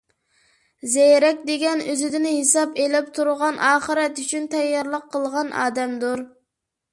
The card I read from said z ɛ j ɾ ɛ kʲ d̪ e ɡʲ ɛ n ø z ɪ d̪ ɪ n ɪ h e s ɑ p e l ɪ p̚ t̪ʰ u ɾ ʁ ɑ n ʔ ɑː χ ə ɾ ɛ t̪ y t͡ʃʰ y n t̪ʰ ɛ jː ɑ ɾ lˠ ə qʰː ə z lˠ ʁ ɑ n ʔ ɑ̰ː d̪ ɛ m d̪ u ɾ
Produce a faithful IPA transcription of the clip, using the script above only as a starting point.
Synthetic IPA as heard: z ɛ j ɾ ɛ kʲ d̪ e ɡʲ ɛ n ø z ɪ d̪ ɪ n ɪ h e s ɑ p e l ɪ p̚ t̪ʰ u ɾ ʁ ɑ n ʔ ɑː χ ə ɾ ɛ t̪ y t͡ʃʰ y n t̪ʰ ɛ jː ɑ ɾ lˠ ə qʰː ə lˠ ʁ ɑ n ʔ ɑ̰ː d̪ ɛ m d̪ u ɾ